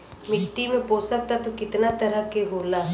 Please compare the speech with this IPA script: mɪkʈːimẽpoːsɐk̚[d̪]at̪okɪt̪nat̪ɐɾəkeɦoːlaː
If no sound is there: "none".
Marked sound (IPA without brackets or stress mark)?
t̪